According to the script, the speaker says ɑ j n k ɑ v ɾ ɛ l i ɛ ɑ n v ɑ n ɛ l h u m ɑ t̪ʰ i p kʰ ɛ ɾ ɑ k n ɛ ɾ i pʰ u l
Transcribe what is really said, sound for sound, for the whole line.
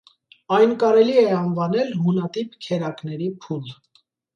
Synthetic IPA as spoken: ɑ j n k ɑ ɾ ɛ l i ɛ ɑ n v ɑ n ɛ l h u n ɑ t̪ i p kʰ ɛ ɾ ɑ k n ɛ ɾ i pʰ u l